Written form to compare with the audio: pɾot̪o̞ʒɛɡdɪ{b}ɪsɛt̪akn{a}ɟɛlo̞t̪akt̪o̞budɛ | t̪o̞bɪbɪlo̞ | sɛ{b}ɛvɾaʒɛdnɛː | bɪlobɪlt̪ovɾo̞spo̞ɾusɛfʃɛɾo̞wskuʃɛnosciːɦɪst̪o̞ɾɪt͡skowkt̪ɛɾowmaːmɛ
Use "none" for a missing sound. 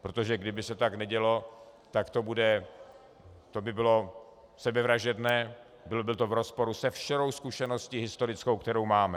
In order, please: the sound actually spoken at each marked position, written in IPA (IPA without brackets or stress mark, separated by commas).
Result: b, ɛ, b